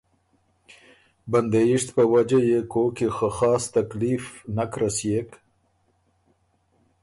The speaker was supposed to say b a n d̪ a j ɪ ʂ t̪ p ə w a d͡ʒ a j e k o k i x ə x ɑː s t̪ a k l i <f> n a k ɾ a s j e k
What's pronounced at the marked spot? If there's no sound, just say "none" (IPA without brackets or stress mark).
f